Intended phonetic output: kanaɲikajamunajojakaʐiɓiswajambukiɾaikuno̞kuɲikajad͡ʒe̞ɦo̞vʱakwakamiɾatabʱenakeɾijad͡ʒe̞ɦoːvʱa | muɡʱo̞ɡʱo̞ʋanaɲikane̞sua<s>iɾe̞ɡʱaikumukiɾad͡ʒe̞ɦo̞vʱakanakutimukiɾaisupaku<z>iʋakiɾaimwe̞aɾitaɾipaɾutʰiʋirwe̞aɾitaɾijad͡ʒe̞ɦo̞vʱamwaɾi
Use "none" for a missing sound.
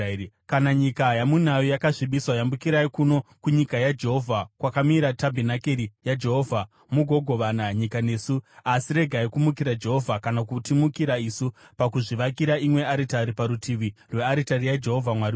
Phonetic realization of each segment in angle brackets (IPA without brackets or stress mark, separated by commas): s, ʐ